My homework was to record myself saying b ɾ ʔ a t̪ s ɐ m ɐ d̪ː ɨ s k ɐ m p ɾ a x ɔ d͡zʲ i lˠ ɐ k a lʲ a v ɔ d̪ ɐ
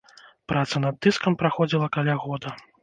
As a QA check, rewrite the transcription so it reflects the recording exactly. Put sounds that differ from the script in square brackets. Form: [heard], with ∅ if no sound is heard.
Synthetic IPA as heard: [p] ɾ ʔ a t̪ s ɐ [n] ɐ d̪ː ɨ s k ɐ m p ɾ a x ɔ d͡zʲ i lˠ ɐ k a lʲ a [ɣ] ɔ d̪ ɐ